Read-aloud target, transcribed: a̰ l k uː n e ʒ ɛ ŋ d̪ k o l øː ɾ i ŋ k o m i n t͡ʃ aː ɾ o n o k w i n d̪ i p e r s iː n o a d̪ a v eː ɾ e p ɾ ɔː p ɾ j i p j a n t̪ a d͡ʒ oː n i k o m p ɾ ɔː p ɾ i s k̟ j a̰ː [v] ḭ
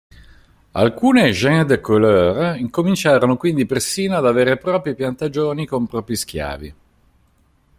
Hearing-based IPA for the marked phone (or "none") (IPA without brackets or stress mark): v